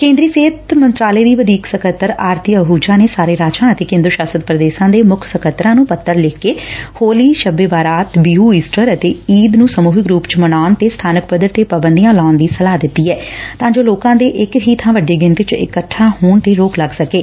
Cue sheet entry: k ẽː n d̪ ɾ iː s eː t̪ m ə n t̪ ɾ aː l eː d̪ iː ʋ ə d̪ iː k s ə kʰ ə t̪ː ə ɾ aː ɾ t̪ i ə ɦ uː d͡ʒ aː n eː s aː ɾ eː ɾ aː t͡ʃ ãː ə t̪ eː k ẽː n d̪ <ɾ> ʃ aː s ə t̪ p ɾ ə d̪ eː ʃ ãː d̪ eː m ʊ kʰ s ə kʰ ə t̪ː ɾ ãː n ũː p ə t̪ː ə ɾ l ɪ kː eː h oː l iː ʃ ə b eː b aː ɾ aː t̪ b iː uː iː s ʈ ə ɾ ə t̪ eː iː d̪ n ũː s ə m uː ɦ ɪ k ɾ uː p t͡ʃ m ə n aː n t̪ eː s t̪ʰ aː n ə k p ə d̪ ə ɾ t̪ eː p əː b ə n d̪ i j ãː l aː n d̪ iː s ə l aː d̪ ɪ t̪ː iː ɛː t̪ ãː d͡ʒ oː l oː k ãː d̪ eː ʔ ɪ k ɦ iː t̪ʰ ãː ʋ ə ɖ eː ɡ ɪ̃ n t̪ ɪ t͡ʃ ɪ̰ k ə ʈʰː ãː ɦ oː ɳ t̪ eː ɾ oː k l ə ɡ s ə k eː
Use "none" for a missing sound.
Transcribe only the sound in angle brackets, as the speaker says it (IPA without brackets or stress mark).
ɾ